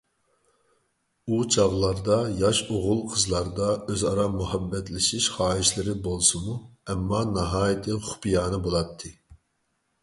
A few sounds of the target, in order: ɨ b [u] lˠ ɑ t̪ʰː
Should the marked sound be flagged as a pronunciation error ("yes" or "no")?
yes